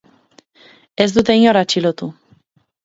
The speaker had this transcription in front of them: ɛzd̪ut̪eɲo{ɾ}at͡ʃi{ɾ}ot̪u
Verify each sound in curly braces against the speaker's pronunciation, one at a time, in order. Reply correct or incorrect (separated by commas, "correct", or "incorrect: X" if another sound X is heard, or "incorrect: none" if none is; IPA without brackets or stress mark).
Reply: correct, incorrect: l